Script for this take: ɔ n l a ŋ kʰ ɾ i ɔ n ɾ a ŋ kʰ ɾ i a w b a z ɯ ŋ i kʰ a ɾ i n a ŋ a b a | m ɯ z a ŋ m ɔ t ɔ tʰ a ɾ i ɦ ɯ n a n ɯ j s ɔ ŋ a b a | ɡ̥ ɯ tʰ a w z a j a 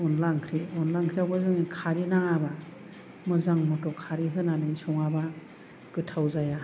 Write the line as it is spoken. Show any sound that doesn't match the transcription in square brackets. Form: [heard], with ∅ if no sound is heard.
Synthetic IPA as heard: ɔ n l a ŋ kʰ ɾ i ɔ n [l] a ŋ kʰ ɾ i a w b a z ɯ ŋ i kʰ a ɾ i n a ŋ a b a | m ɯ z a ŋ m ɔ t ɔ [kʰ] a ɾ i ɦ ɯ n a n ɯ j s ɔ ŋ a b a | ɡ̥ ɯ tʰ a w z a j a